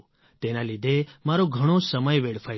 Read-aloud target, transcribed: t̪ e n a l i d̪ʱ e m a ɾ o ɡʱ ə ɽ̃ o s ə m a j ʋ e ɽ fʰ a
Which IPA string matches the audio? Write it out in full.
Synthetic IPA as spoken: t̪ e n a l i d̪ʱ e m a ɾ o ɡʱ ə ɽ̃ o s ə m ə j ʋ e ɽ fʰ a